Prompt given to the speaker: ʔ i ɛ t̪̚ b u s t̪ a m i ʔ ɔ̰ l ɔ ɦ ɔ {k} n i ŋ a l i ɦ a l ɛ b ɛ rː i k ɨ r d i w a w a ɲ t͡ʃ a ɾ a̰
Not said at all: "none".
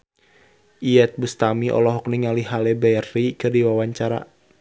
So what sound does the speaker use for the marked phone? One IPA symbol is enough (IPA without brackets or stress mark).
k